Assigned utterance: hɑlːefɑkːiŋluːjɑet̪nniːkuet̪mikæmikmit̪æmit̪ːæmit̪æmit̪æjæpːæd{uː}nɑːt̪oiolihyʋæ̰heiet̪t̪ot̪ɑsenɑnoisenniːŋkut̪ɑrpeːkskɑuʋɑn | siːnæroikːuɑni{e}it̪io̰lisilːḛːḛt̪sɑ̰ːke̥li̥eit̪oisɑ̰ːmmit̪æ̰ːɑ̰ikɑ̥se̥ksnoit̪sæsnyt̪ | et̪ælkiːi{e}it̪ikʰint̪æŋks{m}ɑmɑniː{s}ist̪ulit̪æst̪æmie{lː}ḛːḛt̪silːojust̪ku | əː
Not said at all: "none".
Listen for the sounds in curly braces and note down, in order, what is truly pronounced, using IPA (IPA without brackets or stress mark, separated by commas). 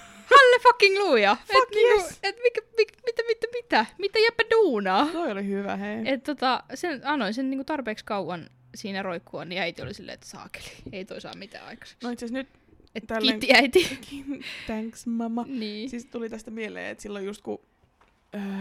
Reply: uː, æ, æ, m, s, l